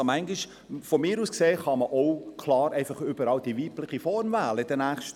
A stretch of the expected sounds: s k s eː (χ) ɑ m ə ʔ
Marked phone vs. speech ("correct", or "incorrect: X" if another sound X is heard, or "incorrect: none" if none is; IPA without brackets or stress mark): correct